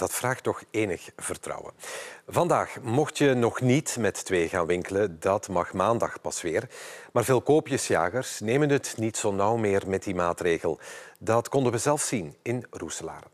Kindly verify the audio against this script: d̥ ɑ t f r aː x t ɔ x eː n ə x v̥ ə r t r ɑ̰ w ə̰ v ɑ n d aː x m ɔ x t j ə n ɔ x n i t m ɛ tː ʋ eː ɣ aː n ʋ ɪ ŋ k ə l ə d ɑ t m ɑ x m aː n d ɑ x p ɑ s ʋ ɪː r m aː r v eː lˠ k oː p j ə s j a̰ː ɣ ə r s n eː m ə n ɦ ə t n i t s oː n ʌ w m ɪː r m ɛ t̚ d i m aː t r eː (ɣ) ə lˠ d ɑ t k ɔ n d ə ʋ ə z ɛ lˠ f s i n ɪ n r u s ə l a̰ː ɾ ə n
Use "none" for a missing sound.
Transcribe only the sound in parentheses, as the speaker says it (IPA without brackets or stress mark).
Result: ɣ